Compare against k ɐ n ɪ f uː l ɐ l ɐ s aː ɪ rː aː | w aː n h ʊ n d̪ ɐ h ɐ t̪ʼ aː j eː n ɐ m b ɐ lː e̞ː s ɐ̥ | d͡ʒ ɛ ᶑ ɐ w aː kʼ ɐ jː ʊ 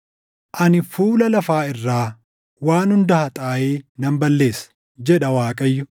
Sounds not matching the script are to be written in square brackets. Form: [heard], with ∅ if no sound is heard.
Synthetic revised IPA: [ʔ] ɐ n ɪ f uː l ɐ l ɐ [f] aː ɪ rː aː | w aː n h ʊ n d̪ ɐ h ɐ t̪ʼ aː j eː n ɐ m b ɐ lː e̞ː s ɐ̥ | d͡ʒ ɛ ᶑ ɐ w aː kʼ ɐ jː ʊ